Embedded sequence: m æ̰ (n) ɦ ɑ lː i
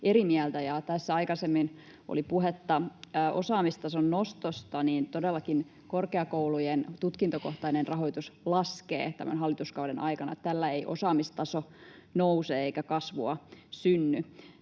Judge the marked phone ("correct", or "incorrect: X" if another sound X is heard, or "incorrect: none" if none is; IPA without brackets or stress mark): correct